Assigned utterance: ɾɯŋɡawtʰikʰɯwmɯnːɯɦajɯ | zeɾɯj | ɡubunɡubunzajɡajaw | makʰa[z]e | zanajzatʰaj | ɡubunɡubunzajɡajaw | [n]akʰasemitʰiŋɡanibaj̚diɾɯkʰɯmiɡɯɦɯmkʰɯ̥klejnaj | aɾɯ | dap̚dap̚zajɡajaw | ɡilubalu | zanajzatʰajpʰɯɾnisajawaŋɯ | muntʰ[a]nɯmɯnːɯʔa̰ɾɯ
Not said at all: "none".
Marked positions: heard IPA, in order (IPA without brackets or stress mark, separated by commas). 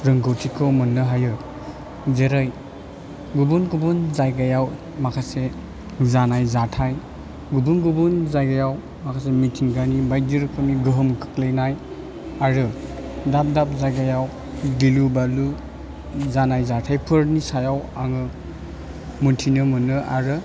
s, m, i